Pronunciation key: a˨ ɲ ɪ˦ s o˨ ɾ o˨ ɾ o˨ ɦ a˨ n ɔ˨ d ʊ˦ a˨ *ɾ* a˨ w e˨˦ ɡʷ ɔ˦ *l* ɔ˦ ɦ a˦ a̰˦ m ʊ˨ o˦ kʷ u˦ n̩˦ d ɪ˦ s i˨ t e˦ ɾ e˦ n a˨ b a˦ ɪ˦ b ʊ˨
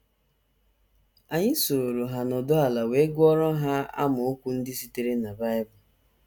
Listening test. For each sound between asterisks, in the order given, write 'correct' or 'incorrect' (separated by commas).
incorrect, incorrect